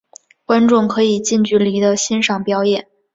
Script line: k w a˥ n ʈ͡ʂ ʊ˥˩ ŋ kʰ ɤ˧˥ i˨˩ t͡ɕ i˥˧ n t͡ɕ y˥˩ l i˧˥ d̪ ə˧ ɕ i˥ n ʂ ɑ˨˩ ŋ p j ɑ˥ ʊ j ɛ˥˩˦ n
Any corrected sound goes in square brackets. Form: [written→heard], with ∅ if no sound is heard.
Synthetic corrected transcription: k w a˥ n ʈ͡ʂ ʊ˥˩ ŋ kʰ ɤ˧˥ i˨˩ t͡ɕ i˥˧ n t͡ɕ y˥˩ l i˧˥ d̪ ə˧ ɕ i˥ n ʂ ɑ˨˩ ŋ p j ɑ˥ ʊ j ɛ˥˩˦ n